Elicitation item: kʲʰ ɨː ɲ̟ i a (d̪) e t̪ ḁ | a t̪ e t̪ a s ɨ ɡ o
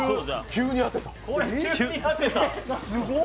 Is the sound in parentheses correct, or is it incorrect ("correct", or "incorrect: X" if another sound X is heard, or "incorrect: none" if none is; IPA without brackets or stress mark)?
incorrect: t̪